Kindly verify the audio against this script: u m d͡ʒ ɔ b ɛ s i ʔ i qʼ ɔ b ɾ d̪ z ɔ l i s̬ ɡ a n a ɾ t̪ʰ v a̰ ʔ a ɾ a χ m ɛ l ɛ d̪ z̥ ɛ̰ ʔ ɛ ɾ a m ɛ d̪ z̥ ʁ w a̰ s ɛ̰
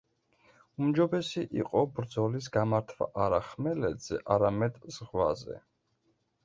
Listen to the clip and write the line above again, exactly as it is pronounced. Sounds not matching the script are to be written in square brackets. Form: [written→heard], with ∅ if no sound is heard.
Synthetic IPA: u m d͡ʒ ɔ b ɛ s i ʔ i qʼ ɔ b ɾ d̪ z ɔ l i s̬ ɡ a [n→m] a ɾ t̪ʰ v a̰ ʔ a ɾ a χ m ɛ l ɛ d̪ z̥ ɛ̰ ʔ [ɛ→a] ɾ a m ɛ d̪ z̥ ʁ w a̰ [s→z] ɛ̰